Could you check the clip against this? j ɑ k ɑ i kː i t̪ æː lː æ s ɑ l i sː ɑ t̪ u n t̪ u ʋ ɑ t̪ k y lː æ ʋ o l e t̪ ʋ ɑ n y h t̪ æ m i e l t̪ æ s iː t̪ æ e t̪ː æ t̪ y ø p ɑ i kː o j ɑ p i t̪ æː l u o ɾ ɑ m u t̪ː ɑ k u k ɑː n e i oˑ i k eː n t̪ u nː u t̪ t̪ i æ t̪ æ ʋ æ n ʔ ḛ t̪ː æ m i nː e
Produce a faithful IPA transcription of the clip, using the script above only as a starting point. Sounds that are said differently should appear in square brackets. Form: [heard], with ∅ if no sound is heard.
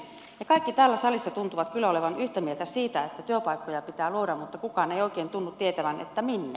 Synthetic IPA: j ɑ k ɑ i kː i t̪ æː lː æ s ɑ l i sː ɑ t̪ u n t̪ u ʋ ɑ t̪ k y lː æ [∅] o l e [∅] ʋ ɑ n y h t̪ æ m i e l t̪ æ s iː t̪ æ e t̪ː æ t̪ y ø p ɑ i kː o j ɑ p i t̪ æː l u o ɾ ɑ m u t̪ː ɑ k u k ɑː n e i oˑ i k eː n t̪ u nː u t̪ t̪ i [e] t̪ æ ʋ æ n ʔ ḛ t̪ː æ m i nː e